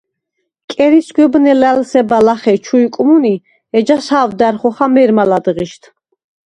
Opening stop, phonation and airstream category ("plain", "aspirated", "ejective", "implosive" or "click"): ejective